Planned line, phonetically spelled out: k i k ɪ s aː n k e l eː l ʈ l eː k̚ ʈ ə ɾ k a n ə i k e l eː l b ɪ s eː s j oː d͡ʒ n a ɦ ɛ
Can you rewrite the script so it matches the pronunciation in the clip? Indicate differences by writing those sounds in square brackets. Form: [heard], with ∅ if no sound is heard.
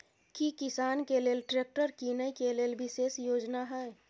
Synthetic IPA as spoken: k i k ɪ s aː n k e l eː l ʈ [ɾ] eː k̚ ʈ ə ɾ k [i] n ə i k e l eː l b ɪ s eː s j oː d͡ʒ n a ɦ ɛ